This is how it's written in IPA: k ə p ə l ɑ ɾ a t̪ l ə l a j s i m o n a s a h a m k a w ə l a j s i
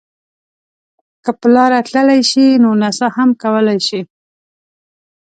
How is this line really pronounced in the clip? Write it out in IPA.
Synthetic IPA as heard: k ə p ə l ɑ ɾ a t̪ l ə l a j ʃ i n o n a s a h a m k a w ə l a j ʃ i